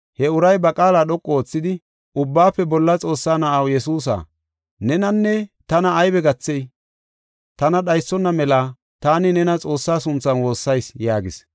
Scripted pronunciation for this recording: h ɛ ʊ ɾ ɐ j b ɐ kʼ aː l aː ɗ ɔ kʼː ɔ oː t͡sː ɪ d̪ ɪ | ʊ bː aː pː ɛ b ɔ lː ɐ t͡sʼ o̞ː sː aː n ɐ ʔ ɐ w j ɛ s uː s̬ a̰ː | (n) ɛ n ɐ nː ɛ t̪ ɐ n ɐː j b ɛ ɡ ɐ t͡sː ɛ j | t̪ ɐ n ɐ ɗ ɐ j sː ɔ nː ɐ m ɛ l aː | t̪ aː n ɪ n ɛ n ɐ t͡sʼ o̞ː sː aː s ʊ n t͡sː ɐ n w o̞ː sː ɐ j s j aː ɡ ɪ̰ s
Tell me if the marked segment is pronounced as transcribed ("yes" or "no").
yes